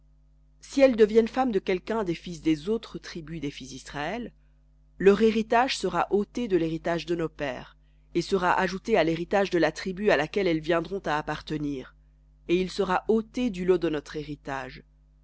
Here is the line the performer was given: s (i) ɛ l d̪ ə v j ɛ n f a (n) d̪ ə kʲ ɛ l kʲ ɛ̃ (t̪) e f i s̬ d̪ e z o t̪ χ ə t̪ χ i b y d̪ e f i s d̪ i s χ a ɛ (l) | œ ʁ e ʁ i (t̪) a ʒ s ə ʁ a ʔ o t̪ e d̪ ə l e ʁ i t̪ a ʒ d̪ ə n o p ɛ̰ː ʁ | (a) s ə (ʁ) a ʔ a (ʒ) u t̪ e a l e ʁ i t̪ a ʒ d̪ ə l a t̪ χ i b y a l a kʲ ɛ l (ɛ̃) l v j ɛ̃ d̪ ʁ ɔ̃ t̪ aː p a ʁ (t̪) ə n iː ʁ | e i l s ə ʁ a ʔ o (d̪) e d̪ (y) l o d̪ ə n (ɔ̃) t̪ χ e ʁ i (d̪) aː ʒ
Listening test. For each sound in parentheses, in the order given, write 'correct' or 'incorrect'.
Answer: correct, incorrect: m, incorrect: d̪, incorrect: lː, correct, incorrect: e, correct, correct, incorrect: ɛ, correct, incorrect: t̪, correct, incorrect: ɔ, incorrect: t̪

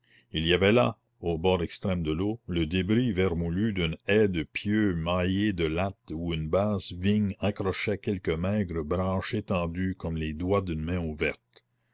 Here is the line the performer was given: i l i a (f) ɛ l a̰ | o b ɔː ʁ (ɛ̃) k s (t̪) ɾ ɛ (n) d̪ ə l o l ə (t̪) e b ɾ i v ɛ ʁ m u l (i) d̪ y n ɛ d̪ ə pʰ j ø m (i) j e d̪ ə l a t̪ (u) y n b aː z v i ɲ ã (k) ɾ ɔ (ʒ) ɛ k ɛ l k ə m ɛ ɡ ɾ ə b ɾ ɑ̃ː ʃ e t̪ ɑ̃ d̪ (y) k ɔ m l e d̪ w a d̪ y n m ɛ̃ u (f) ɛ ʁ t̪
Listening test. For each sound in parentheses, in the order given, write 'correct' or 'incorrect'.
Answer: incorrect: v, incorrect: ɛ, correct, incorrect: m, incorrect: d̪, incorrect: y, incorrect: a, correct, correct, incorrect: ʃ, correct, incorrect: v

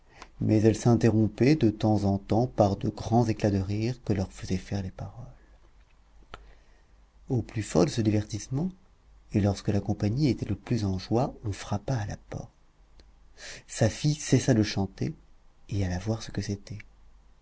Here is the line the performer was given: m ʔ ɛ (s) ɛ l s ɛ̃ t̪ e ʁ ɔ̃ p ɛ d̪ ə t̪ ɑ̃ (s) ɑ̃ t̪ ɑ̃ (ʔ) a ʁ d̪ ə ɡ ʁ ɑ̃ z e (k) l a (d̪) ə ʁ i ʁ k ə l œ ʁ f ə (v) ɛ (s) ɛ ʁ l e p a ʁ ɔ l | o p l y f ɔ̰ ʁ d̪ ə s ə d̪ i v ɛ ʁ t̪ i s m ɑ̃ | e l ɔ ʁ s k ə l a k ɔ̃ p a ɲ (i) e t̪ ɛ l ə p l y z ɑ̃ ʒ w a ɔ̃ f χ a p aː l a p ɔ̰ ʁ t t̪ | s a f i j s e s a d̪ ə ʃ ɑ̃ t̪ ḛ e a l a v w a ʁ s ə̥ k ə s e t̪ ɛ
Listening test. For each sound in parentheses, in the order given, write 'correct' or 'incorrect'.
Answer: incorrect: z, incorrect: z, incorrect: p, correct, correct, incorrect: z, incorrect: f, correct

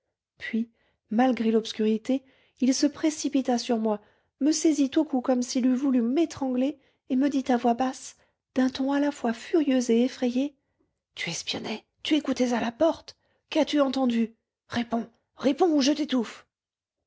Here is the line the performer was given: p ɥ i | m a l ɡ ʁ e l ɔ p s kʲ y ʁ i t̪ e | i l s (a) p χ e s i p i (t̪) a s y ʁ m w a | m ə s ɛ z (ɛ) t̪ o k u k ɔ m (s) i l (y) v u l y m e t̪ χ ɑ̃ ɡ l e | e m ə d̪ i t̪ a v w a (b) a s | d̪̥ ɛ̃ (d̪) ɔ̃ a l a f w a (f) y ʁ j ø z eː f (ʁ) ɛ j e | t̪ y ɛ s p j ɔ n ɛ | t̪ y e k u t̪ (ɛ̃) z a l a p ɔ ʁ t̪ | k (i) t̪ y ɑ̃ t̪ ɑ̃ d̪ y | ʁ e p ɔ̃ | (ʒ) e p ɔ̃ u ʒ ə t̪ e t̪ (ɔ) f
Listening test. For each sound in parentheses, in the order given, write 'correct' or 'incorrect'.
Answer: incorrect: ə, correct, incorrect: i, correct, correct, correct, incorrect: t̪, correct, incorrect: χ, incorrect: ɛ, incorrect: a, incorrect: ʁ, incorrect: u

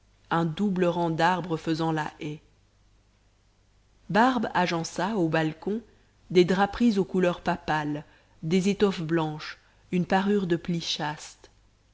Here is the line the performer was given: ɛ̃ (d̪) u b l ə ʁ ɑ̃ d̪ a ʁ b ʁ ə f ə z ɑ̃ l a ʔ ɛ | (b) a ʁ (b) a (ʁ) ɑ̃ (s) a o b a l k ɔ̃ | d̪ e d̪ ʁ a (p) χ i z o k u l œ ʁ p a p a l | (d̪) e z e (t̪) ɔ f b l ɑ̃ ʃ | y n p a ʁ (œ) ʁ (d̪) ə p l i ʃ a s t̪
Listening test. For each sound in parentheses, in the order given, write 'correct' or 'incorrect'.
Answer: correct, correct, correct, incorrect: ʒ, correct, correct, correct, correct, incorrect: y, correct

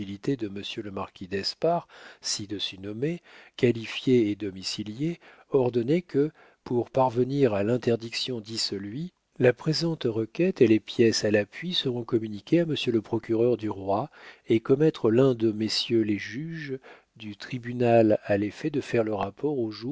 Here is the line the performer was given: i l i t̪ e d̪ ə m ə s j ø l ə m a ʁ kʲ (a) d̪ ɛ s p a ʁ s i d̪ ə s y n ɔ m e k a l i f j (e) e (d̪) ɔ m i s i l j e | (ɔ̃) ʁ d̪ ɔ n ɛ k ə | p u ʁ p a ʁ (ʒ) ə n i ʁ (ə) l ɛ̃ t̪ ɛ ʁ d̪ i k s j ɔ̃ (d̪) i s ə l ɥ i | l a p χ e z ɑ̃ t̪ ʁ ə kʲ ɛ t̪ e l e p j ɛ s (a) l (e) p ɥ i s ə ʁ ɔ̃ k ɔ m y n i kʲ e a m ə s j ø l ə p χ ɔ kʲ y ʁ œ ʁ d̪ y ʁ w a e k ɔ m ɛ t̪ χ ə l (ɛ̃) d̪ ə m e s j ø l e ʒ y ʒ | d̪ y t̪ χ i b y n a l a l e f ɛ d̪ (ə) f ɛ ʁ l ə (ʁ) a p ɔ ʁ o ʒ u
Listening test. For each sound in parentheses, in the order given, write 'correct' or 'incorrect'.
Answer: incorrect: i, correct, correct, incorrect: ɔ, incorrect: v, incorrect: a, correct, correct, incorrect: a, correct, correct, correct

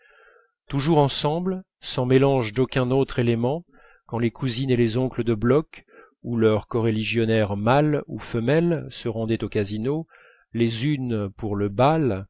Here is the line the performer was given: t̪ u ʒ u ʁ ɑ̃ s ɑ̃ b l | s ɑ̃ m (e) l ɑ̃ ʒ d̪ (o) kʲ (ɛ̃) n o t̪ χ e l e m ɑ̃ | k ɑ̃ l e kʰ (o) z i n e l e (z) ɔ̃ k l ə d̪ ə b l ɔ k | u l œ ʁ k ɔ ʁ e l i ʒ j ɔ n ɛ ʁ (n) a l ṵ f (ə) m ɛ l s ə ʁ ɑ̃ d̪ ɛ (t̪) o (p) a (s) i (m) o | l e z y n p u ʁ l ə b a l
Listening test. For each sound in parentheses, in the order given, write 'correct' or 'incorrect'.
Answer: correct, correct, correct, incorrect: u, correct, incorrect: m, correct, correct, incorrect: k, incorrect: z, incorrect: n

